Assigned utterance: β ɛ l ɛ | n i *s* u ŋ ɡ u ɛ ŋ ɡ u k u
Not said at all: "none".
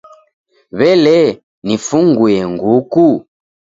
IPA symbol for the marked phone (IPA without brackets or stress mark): f